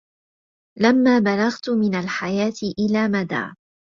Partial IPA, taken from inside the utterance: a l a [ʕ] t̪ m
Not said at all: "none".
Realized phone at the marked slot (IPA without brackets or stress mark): ɣ